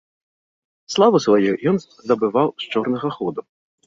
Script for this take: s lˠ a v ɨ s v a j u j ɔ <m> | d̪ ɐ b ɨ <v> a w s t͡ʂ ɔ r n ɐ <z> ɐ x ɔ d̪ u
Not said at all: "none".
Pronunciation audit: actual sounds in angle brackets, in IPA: n, v, ɣ

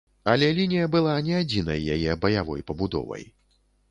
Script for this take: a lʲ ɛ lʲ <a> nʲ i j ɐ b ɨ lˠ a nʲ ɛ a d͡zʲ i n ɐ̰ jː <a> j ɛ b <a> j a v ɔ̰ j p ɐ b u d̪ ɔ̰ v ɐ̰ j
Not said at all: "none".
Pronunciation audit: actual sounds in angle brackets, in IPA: i, a, ɐ

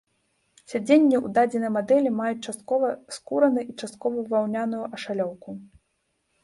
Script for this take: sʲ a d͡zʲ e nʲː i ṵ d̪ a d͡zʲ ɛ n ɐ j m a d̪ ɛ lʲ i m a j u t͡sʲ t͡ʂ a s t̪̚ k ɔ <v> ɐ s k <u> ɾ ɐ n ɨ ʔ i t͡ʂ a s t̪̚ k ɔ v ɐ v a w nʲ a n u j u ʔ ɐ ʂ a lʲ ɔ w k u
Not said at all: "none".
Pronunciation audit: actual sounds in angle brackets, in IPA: v, u

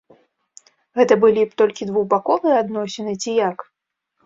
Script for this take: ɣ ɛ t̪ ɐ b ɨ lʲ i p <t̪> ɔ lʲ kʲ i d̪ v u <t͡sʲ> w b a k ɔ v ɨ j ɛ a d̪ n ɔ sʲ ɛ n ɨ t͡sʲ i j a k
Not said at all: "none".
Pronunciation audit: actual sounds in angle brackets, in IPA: t̪, none

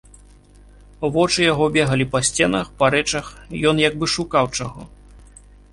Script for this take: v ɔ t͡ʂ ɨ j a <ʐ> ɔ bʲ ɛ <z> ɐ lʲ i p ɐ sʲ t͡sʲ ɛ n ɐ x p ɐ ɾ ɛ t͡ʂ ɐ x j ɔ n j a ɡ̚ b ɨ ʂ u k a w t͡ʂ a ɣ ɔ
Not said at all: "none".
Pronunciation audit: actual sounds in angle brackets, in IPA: ɣ, ɣ

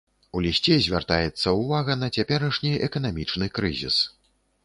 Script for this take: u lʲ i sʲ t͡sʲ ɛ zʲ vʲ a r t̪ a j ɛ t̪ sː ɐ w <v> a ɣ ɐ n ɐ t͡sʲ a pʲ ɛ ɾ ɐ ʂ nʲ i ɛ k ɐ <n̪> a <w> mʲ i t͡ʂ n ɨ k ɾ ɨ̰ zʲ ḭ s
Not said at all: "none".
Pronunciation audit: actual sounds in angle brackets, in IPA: v, n̪, none

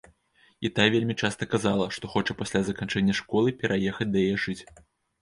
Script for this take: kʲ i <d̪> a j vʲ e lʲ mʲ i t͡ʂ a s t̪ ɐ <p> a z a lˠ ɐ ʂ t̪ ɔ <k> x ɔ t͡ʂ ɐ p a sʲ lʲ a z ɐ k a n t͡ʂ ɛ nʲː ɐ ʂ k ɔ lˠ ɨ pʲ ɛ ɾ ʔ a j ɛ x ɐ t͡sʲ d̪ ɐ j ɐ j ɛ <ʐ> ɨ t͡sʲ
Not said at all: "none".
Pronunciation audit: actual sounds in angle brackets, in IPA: t̪, k, none, ʐ

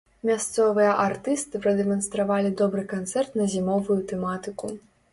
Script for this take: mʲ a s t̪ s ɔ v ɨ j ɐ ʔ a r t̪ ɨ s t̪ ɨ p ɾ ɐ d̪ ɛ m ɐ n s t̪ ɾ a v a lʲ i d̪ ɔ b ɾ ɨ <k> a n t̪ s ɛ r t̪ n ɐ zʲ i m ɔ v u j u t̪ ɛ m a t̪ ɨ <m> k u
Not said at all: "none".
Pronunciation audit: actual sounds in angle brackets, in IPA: k, none

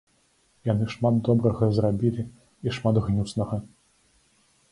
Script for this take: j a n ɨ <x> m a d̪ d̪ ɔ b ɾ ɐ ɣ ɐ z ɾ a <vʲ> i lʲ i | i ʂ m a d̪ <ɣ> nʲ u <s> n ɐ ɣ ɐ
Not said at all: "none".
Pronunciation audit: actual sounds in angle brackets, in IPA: ʂ, bʲ, ɣ, s

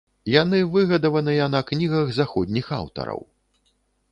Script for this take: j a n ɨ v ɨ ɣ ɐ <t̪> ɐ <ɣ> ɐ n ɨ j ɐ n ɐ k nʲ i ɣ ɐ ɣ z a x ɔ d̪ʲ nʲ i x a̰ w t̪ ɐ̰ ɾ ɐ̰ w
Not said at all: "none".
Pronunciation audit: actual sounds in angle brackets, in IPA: d̪, v

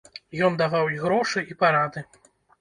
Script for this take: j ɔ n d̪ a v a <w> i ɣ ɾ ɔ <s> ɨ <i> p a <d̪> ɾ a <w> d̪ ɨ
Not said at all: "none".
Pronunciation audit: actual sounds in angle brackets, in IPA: w, ʂ, i, none, none

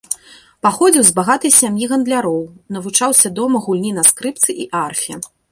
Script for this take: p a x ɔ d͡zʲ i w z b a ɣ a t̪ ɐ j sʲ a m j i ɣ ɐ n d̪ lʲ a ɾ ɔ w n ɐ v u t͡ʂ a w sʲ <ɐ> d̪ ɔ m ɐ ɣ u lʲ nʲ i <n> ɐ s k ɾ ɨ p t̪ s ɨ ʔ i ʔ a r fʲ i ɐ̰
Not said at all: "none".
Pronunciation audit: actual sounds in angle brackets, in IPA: ɐ, n

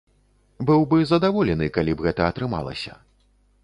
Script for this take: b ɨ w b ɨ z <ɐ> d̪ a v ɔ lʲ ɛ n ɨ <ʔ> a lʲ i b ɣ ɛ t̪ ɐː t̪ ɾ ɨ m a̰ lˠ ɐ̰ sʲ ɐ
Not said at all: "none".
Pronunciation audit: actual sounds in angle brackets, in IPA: ɐ, k

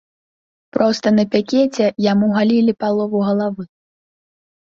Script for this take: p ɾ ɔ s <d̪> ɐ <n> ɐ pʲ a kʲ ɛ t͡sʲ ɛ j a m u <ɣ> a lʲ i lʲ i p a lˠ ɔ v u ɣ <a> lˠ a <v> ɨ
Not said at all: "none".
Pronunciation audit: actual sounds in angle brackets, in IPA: t̪, n, ɣ, ɐ, v

